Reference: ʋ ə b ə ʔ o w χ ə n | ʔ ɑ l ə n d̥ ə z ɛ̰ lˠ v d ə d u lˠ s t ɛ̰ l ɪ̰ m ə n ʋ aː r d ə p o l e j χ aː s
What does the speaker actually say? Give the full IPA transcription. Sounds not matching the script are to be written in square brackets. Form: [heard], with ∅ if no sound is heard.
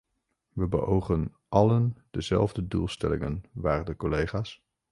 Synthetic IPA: ʋ ə b ə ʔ o w χ ə n | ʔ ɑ l ə n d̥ ə z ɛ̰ lˠ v d ə d u lˠ s t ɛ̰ l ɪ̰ [ŋ] ə n ʋ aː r d ə [k] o l e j χ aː s